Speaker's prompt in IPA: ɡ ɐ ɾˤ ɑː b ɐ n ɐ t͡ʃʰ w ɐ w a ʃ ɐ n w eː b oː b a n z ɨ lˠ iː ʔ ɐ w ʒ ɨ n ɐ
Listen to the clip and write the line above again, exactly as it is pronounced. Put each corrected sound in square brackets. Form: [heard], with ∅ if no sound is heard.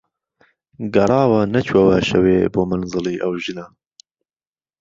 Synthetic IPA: ɡ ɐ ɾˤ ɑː [w] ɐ n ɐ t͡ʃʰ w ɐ w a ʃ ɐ [∅] w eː b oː [m] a n z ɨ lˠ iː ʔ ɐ w ʒ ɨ n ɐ